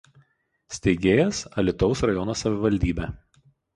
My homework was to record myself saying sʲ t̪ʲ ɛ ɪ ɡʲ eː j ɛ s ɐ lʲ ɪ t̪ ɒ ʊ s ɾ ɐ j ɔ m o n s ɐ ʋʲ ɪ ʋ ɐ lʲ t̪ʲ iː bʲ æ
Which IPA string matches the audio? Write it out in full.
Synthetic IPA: sʲ t̪ʲ ɛ ɪ ɡʲ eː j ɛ s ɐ lʲ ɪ t̪ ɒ ʊ s ɾ ɐ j ɔ n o s ɐ ʋʲ ɪ ʋ ɐ lʲ d̪ʲ iː bʲ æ